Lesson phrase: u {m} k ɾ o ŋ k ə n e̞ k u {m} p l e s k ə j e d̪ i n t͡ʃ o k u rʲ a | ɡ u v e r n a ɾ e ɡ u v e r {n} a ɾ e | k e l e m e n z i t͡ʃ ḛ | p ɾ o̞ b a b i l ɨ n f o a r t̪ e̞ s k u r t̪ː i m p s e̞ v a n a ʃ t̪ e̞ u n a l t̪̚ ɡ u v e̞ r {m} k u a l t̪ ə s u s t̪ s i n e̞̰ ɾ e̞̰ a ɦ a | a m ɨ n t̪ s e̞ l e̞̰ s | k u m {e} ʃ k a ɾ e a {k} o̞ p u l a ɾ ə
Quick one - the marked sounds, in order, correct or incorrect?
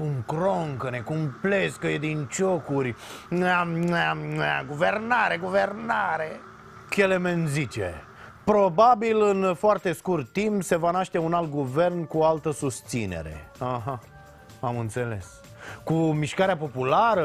incorrect: ŋ, correct, correct, incorrect: n, incorrect: i, incorrect: p

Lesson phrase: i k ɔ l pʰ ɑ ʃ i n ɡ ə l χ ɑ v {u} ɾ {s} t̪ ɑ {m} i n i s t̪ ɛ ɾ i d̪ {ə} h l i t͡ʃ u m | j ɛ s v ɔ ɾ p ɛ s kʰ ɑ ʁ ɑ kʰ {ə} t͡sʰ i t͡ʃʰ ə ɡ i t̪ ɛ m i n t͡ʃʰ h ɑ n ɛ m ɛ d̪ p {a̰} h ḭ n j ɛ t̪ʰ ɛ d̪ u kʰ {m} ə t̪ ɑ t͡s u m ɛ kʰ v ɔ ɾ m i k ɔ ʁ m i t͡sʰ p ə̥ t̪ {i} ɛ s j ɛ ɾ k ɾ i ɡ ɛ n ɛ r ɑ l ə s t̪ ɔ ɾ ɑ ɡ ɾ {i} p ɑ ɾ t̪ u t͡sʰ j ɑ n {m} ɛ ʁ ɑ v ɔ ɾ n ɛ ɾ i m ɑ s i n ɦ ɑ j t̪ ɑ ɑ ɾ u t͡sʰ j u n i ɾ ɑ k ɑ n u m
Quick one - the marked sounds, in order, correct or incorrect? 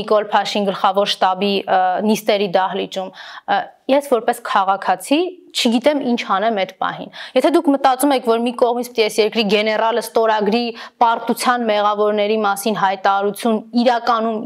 incorrect: ɔ, incorrect: ʃ, incorrect: b, incorrect: ɑ, incorrect: ɑ, incorrect: ɑ̰, correct, correct, correct, correct

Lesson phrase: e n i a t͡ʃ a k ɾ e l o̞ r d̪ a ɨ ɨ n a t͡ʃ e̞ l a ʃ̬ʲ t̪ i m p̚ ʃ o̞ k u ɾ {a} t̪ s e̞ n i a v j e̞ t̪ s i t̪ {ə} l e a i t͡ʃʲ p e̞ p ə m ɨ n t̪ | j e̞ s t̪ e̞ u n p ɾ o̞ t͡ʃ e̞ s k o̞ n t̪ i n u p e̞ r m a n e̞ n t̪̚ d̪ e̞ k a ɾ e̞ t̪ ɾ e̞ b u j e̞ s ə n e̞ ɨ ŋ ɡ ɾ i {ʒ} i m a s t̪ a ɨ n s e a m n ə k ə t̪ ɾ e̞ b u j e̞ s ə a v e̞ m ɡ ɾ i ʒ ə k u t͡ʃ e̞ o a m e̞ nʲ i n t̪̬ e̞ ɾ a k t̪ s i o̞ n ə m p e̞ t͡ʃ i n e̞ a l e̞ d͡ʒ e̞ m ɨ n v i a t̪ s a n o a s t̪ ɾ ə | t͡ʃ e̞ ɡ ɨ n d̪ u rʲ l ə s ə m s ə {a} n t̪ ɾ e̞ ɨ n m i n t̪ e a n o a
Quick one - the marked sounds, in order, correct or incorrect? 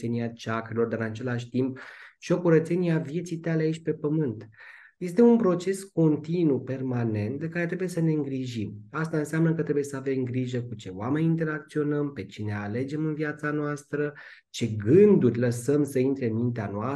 incorrect: ə, incorrect: a, correct, incorrect: i

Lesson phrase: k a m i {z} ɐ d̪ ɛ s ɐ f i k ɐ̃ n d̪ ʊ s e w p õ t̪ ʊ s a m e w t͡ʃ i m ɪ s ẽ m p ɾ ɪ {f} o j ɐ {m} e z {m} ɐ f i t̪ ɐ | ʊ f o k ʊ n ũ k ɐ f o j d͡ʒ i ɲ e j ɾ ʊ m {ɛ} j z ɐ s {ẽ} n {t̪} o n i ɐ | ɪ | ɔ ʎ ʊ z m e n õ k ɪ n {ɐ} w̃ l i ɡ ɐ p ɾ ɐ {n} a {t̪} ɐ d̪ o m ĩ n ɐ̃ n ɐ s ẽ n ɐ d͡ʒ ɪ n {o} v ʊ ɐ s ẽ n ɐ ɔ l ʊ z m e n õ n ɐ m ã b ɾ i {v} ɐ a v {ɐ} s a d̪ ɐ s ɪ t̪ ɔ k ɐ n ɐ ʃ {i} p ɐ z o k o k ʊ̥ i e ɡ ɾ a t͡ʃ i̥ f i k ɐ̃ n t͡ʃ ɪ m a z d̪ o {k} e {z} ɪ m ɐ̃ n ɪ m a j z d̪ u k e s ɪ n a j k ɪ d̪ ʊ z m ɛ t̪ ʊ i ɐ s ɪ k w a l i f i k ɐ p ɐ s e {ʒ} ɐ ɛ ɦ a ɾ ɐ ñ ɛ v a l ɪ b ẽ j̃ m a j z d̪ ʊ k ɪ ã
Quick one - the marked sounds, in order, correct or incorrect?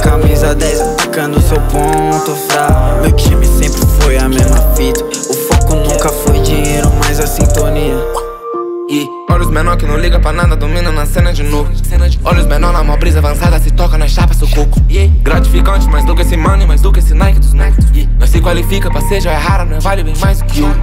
correct, correct, correct, correct, incorrect: a, incorrect: ĩ, correct, incorrect: ɐ̃, correct, incorrect: d̪, correct, incorrect: z, incorrect: ɐ̃, incorrect: a, correct, incorrect: s, correct

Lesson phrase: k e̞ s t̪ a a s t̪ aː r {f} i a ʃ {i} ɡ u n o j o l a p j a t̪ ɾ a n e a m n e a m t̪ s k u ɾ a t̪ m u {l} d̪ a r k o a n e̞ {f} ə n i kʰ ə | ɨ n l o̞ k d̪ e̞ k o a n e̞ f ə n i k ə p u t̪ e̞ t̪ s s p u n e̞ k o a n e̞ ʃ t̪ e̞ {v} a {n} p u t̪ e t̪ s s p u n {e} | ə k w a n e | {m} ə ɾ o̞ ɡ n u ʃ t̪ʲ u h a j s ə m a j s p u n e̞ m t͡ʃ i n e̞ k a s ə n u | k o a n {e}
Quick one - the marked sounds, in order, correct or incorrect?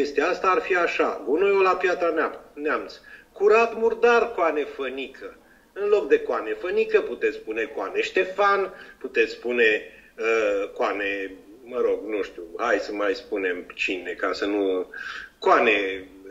correct, incorrect: a, incorrect: r, correct, incorrect: f, correct, correct, correct, correct

